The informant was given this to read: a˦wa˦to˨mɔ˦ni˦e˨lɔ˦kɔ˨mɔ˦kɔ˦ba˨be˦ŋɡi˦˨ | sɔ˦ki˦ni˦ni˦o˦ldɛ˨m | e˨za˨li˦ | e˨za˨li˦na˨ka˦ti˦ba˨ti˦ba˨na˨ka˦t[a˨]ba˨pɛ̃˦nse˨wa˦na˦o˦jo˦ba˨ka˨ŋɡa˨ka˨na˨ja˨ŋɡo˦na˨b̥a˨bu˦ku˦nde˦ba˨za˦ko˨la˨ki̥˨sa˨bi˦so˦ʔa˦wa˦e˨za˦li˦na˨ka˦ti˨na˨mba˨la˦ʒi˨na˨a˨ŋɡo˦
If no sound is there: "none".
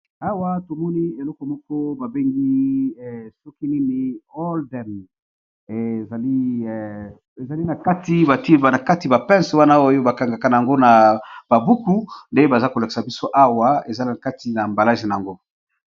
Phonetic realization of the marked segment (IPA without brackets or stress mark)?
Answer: i˨